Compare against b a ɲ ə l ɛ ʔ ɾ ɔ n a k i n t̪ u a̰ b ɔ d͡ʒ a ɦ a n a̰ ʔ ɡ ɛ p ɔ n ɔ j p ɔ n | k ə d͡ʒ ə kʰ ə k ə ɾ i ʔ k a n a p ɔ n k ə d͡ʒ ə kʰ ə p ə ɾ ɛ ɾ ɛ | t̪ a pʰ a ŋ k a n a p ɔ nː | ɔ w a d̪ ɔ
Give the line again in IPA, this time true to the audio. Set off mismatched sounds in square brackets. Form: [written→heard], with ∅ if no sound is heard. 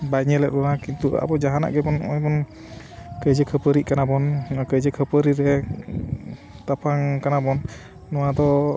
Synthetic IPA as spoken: b a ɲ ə l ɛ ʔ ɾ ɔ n a k i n t̪ u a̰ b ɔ d͡ʒ a ɦ a n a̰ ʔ ɡ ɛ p ɔ n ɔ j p ɔ n | k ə d͡ʒ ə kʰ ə [k→p] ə ɾ i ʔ k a n a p ɔ n k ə d͡ʒ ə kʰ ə p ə ɾ [ɛ→i] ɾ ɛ | t̪ a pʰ a ŋ k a n a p ɔ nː | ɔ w a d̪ ɔ